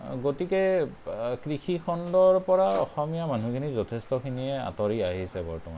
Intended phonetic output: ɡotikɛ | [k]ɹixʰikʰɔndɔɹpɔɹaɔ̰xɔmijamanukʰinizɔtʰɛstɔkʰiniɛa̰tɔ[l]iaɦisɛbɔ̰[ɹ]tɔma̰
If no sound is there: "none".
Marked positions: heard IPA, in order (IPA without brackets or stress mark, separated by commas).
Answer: k, ɹ, ɹ